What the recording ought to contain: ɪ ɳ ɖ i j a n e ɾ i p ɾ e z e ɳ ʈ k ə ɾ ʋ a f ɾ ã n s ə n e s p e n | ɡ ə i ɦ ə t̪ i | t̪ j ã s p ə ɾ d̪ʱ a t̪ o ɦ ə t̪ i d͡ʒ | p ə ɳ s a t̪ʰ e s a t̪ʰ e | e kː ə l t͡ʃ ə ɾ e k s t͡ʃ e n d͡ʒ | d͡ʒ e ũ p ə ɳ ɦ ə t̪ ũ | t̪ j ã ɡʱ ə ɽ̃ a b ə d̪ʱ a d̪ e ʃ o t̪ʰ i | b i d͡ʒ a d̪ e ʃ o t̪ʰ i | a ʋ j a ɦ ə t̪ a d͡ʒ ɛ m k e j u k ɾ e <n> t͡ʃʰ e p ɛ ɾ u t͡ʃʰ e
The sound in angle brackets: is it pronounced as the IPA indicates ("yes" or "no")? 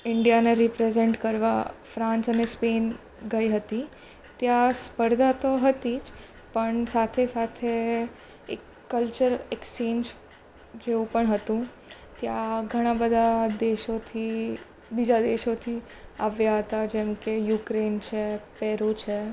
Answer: yes